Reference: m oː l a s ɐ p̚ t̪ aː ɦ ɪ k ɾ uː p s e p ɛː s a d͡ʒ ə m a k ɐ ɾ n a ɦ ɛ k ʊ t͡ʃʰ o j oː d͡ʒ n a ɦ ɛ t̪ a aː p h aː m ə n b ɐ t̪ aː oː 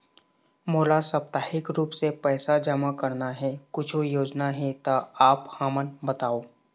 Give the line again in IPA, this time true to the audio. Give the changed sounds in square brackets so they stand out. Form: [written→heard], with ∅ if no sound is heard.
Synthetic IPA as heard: m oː l a s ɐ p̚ t̪ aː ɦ ɪ k ɾ uː p s e p ɛː s a d͡ʒ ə m a k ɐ ɾ n a ɦ ɛ k ʊ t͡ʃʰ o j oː d͡ʒ n a ɦ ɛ t̪ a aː p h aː m ə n b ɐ t̪ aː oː